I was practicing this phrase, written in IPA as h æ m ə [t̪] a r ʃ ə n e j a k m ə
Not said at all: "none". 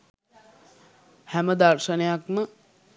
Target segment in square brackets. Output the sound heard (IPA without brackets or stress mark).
d̪